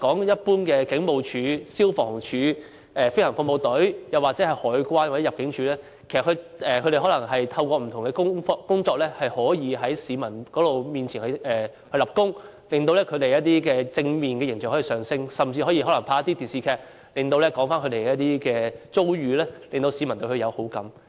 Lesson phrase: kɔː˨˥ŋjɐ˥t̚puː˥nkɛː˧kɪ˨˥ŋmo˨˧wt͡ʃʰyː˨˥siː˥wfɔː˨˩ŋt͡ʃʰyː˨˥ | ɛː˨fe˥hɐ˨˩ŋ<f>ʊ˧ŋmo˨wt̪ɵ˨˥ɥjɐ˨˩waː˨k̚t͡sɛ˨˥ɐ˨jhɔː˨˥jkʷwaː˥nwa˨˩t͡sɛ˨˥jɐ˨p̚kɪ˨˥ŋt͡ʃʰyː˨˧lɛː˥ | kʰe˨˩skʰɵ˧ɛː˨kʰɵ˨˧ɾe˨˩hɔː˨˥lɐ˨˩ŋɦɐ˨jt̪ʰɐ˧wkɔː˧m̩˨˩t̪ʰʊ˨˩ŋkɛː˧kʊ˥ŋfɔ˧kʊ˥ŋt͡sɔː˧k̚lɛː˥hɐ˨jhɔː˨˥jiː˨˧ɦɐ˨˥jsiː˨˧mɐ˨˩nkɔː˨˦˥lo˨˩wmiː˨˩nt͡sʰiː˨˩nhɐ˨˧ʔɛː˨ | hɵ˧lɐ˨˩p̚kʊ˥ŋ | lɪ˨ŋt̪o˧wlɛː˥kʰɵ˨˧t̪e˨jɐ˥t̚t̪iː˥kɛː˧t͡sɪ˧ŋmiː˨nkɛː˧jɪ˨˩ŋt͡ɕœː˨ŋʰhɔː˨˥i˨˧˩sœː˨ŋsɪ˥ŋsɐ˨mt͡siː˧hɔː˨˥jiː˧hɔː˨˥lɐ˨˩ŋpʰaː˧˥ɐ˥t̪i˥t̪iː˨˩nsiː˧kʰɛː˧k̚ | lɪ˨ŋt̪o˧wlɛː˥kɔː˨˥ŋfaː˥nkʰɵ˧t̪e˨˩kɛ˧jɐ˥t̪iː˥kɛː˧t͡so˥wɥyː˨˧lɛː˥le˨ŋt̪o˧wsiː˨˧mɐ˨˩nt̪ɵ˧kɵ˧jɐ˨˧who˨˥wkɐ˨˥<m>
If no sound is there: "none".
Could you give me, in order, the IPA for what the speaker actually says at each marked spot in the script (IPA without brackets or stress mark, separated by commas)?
f, m